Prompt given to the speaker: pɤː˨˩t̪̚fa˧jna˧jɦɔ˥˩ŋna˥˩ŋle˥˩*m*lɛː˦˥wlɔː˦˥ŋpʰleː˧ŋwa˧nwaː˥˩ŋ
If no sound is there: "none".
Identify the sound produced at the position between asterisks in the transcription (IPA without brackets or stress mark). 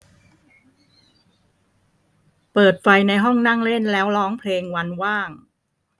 n